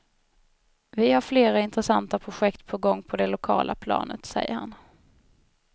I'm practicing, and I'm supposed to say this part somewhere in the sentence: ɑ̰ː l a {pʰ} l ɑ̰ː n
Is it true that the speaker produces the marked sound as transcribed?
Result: yes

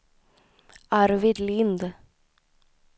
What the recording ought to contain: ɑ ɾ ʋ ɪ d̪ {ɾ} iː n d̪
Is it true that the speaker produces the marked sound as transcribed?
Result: no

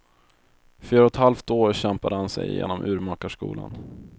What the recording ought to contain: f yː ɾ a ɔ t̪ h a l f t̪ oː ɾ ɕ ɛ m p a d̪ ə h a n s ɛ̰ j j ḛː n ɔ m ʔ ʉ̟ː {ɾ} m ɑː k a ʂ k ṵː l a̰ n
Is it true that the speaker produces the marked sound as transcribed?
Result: yes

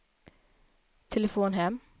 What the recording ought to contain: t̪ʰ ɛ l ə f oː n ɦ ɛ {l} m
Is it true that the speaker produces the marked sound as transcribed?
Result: no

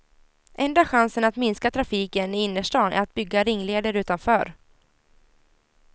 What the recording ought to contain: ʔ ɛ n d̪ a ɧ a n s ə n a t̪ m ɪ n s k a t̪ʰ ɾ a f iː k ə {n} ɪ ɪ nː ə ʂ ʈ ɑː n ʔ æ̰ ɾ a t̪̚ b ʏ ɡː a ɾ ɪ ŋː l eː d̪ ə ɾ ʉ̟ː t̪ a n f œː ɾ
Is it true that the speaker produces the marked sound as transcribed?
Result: yes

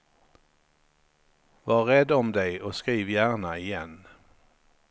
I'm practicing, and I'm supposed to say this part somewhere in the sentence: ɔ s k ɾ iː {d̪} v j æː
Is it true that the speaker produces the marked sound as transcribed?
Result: no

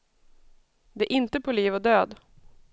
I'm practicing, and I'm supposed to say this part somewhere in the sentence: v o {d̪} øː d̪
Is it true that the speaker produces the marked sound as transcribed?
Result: yes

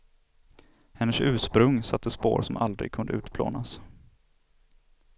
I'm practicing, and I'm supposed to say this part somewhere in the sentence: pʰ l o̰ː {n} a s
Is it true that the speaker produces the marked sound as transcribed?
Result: yes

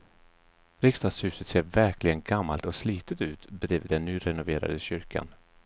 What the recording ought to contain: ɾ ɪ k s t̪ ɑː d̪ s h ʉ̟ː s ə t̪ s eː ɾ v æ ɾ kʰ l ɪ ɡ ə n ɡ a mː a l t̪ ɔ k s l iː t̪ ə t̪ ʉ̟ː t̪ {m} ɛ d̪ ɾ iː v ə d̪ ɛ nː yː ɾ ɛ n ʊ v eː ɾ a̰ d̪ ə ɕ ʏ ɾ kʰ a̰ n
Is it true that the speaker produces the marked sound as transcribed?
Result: no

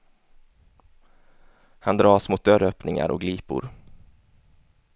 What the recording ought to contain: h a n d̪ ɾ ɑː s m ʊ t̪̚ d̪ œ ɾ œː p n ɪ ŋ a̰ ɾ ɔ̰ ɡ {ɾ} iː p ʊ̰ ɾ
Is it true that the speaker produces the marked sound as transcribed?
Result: no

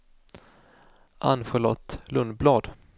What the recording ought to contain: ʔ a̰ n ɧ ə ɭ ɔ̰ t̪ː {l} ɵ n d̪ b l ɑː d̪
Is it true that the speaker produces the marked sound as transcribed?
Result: yes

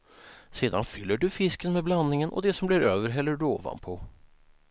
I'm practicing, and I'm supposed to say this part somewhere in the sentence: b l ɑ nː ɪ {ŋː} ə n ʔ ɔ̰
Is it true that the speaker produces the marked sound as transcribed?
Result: no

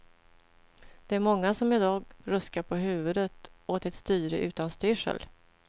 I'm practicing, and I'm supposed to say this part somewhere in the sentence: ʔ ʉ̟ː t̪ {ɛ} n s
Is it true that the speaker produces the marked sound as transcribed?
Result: no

